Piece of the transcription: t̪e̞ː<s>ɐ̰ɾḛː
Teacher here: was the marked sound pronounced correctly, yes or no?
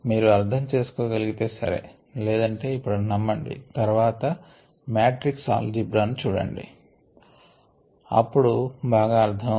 yes